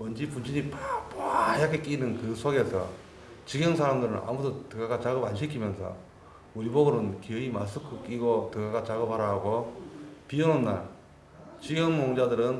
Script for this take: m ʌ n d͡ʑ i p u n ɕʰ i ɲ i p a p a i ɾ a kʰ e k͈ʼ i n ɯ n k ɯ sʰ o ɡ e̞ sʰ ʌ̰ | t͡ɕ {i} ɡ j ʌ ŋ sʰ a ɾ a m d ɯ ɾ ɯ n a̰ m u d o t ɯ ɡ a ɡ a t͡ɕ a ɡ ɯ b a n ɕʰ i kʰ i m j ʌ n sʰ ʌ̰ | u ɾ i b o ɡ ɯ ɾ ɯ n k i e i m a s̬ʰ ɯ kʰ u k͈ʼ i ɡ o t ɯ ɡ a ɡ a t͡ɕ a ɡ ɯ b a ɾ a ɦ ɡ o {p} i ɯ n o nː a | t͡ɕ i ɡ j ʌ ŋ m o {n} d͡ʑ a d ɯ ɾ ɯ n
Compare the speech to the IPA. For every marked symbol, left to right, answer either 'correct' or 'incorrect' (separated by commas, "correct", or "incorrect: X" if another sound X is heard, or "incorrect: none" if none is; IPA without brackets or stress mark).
correct, correct, incorrect: ŋ